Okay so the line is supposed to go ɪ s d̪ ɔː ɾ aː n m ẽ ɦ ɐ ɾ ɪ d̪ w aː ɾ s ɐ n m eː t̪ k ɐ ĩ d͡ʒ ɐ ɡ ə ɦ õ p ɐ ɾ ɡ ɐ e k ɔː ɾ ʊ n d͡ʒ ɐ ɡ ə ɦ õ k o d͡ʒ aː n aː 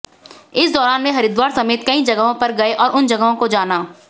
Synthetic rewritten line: ɪ s d̪ ɔː ɾ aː n m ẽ ɦ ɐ ɾ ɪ d̪ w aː ɾ s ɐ m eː t̪ k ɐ ĩ d͡ʒ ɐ ɡ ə ɦ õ p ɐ ɾ ɡ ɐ e ʔ ɔː ɾ ʊ n d͡ʒ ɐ ɡ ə ɦ õ k o d͡ʒ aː n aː